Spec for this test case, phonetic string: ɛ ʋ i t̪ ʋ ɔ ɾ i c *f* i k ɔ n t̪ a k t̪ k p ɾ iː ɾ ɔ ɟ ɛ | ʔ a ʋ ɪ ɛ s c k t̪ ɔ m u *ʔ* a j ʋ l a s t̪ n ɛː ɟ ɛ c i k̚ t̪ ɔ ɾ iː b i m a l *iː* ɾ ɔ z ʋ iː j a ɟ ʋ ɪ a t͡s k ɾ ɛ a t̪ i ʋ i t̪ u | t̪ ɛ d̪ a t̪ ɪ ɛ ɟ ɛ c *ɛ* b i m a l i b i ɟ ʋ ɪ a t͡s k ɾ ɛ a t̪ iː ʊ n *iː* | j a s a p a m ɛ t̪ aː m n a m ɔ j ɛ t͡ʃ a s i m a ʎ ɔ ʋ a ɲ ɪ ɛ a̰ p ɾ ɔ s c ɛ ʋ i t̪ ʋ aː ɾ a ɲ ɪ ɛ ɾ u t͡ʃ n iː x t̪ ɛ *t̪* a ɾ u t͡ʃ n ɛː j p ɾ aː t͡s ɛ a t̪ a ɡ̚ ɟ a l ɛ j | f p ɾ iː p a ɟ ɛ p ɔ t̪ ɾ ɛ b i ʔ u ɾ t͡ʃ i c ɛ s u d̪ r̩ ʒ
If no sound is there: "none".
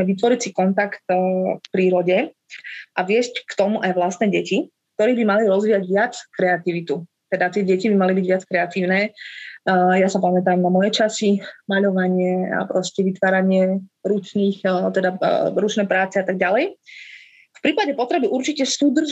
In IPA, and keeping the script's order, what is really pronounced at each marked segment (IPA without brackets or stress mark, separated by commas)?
s, ʔ, i, i, ɛː, d̪